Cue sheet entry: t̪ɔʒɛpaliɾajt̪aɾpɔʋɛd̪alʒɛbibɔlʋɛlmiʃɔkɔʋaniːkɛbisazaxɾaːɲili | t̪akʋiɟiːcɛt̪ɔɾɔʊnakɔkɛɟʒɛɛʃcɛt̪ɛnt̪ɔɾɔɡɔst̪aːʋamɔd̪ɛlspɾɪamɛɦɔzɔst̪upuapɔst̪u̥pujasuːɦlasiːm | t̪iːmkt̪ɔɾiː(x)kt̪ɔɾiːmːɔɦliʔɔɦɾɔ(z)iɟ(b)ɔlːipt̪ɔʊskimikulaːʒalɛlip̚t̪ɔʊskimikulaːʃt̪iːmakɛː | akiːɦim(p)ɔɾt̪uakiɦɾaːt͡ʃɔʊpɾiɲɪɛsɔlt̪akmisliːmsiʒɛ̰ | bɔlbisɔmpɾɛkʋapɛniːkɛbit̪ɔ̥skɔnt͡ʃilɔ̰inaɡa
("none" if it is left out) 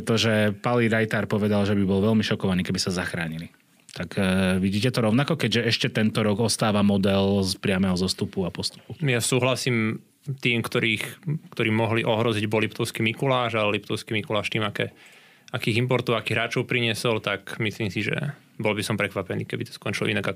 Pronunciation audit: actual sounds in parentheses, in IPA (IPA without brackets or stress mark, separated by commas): x, z, b, p